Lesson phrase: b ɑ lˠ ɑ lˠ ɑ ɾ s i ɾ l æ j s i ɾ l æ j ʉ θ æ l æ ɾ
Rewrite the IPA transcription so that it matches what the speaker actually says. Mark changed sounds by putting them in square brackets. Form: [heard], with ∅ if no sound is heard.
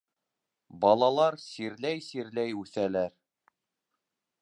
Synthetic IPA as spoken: b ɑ lˠ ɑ lˠ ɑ ɾ s i ɾ l æ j s i ɾ l æ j ʉ θ æ l æ ɾ

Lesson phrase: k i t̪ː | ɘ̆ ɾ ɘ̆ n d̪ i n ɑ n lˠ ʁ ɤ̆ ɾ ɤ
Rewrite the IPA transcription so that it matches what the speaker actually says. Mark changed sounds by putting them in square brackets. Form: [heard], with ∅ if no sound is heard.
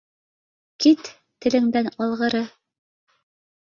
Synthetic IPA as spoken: k i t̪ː | ɘ̆ [l] ɘ̆ [ŋ] d̪ [æ] n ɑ [∅] lˠ ʁ ɤ̆ ɾ ɤ

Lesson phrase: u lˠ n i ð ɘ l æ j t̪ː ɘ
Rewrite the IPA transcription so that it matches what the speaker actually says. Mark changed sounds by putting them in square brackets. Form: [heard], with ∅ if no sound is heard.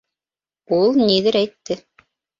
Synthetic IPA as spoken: u lˠ n i ð ɘ [ɾ] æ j t̪ː ɘ

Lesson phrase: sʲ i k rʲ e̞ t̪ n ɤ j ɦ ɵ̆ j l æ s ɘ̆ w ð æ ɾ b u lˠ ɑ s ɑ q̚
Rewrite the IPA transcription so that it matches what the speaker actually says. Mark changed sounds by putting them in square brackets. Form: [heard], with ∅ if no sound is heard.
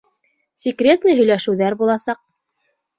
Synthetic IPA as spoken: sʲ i k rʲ e̞ t̪ n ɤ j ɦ ɵ̆ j l æ [ʃ] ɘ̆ w ð æ ɾ b u lˠ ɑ s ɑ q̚

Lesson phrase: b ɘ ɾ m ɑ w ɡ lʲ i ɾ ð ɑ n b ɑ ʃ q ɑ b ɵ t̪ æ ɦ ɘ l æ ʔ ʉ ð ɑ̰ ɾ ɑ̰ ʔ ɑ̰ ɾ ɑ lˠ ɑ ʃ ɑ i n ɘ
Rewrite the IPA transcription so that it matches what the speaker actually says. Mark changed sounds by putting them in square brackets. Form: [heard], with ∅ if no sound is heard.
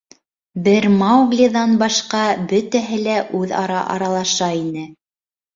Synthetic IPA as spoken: b ɘ ɾ m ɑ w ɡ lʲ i [∅] ð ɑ n b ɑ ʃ q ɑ b ɵ t̪ æ ɦ ɘ l æ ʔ ʉ ð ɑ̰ ɾ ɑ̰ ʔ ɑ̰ ɾ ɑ lˠ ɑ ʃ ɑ i n ɘ

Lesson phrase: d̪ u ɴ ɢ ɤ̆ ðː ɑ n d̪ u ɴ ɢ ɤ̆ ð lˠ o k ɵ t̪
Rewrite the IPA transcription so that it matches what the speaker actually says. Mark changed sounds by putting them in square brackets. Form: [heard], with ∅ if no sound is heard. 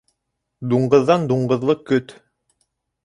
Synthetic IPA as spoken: d̪ u ɴ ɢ ɤ̆ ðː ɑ n d̪ u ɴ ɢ ɤ̆ ð lˠ [ɤ] k ɵ t̪

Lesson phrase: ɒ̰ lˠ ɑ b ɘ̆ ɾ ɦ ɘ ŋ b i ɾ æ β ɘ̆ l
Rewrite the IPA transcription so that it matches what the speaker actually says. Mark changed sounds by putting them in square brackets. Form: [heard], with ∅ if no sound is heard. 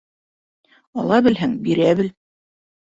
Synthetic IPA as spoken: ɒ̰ lˠ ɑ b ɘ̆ [l] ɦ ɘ ŋ b i ɾ æ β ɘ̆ l

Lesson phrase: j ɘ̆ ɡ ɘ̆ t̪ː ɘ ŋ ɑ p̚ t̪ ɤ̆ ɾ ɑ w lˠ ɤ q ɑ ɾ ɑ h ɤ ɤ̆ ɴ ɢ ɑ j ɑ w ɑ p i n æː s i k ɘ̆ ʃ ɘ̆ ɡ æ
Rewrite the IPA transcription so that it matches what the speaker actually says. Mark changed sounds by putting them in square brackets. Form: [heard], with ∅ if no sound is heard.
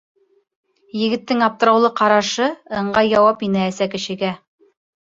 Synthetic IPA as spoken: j ɘ̆ ɡ ɘ̆ t̪ː ɘ ŋ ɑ p̚ t̪ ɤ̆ ɾ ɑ w lˠ ɤ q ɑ ɾ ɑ [ʃ] ɤ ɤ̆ ɴ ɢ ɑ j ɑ w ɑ p i n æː s [æ] k ɘ̆ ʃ ɘ̆ ɡ æ

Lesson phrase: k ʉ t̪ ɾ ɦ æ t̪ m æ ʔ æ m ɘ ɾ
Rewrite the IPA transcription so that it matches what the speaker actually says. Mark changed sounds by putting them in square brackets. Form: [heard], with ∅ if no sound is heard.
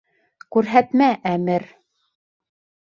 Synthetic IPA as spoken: k ʉ [∅] ɾ ɦ æ t̪ m æ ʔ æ m ɘ ɾ

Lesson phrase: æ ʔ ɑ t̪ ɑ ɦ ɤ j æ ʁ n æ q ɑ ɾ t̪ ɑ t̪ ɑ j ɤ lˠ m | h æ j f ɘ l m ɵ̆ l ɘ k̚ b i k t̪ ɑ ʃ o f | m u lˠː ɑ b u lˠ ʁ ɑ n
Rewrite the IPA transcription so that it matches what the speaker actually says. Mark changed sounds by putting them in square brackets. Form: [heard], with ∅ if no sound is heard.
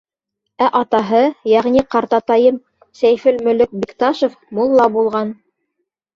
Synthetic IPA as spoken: æ ʔ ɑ t̪ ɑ ɦ ɤ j æ ʁ n [i] q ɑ ɾ t̪ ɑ t̪ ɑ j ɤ [∅] m | [s] æ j f ɘ l m ɵ̆ l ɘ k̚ b i k t̪ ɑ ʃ o f | m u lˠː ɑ b u lˠ ʁ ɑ n

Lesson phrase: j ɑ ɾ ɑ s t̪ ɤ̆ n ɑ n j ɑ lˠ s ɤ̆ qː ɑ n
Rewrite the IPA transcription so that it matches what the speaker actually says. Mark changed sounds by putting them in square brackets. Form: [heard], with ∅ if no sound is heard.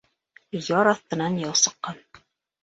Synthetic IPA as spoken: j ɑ ɾ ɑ [θ] t̪ ɤ̆ n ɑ n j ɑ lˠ s ɤ̆ qː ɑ n

